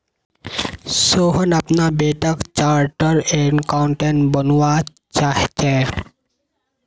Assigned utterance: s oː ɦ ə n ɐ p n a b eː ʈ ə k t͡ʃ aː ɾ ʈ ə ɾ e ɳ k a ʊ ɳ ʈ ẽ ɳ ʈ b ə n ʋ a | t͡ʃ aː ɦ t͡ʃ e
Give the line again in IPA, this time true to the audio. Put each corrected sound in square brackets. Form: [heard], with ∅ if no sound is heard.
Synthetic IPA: s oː ɦ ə n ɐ p n a b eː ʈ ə k t͡ʃ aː ɾ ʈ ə ɾ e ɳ k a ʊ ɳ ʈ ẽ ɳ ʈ b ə n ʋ a | t͡ʃ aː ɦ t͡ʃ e